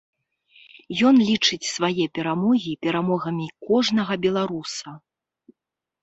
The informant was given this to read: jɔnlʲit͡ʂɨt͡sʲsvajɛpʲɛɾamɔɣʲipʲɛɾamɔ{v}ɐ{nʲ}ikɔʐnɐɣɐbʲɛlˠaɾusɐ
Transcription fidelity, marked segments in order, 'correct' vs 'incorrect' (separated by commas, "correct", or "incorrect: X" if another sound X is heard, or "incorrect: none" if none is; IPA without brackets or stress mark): incorrect: ɣ, incorrect: mʲ